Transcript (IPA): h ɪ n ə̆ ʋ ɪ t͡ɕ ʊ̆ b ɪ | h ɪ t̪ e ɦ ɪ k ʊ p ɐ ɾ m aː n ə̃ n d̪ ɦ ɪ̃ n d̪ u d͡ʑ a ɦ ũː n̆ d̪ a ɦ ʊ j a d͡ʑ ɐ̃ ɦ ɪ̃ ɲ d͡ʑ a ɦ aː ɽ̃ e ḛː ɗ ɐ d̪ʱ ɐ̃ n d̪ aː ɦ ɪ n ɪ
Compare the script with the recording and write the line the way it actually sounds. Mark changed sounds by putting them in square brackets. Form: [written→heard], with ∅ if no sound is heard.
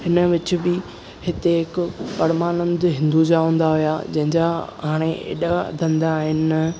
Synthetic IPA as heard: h ɪ n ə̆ ʋ ɪ t͡ɕ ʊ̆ b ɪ | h ɪ t̪ e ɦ ɪ k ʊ p ɐ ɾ m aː n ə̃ n d̪ ɦ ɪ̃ n d̪ u d͡ʑ a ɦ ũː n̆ d̪ a ɦ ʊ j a d͡ʑ ɐ̃ ɦ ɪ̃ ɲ d͡ʑ a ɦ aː ɽ̃ e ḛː ɗ [ɐ→a] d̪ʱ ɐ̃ n d̪ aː ɦ ɪ n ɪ

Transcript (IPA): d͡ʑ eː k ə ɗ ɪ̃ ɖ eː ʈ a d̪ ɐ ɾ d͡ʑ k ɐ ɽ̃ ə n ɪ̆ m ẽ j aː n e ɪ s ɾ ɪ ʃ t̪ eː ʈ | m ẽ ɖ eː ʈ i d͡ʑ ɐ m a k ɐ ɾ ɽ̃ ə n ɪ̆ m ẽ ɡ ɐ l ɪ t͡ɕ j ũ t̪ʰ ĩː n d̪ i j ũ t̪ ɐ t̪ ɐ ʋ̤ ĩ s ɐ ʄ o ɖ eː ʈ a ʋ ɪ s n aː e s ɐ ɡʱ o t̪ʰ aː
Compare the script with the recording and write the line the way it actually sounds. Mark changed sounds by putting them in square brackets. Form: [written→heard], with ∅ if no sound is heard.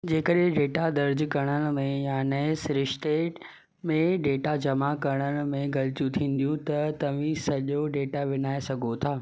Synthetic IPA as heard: d͡ʑ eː k ə ɗ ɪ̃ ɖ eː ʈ a d̪ ɐ ɾ d͡ʑ k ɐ ɽ̃ ə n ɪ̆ m ẽ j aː n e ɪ s ɾ ɪ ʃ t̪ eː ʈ | m ẽ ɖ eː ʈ [i→a] d͡ʑ ɐ m a k ɐ ɾ ɽ̃ ə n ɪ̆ m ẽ ɡ ɐ l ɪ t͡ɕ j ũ t̪ʰ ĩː n d̪ i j ũ t̪ ɐ t̪ ɐ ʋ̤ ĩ s ɐ ʄ o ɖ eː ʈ a ʋ ɪ [s→∅] n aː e s ɐ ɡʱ o t̪ʰ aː

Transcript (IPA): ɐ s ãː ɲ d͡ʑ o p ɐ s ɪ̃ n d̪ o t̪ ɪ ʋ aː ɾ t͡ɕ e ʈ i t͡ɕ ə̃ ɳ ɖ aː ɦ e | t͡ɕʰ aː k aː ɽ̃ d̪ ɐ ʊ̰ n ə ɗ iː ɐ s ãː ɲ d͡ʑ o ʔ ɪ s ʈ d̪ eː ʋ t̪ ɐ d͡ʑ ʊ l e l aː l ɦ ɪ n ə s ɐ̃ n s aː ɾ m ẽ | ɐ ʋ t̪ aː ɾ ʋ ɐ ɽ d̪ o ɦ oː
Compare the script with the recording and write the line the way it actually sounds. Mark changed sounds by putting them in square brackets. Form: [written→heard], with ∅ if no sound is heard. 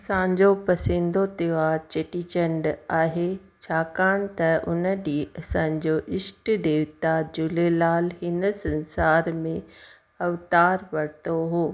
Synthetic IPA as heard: ɐ s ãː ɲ d͡ʑ o p ɐ s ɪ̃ n d̪ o t̪ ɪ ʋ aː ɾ t͡ɕ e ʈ i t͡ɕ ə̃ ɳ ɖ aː ɦ e | t͡ɕʰ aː k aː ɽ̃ [d̪→t̪] ɐ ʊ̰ n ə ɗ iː ɐ s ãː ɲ d͡ʑ o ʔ ɪ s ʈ d̪ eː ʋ t̪ [ɐ→a] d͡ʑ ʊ l e l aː l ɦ ɪ n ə s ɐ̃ n s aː ɾ m ẽ | ɐ ʋ t̪ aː ɾ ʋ ɐ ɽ [d̪→t̪] o ɦ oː

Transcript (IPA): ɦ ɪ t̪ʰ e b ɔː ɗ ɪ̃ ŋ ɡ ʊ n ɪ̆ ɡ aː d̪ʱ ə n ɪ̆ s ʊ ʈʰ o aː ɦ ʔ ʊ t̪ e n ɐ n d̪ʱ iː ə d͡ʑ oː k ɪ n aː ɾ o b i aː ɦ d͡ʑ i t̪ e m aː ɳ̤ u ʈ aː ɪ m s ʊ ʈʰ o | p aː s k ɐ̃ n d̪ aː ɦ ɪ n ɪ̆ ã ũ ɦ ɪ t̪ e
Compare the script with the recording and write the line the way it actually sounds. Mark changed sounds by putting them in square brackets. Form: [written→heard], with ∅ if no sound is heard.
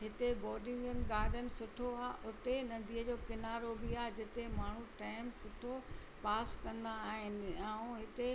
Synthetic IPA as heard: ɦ ɪ [t̪ʰ→t̪] e b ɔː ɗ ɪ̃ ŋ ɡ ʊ n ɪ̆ ɡ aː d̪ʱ ə n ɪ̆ s ʊ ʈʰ o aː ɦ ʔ ʊ t̪ e n ɐ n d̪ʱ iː ə d͡ʑ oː k ɪ n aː ɾ o b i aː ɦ d͡ʑ [i→ɪ] t̪ e m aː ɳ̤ u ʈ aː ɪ m s ʊ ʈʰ o | p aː s k ɐ̃ n d̪ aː ɦ ɪ n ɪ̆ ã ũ ɦ ɪ t̪ e

